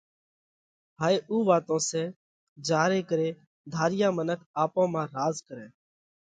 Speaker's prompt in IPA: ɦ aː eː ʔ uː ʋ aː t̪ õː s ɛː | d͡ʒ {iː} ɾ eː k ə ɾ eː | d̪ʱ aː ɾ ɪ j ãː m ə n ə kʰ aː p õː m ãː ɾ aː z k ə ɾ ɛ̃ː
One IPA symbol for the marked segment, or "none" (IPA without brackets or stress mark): aː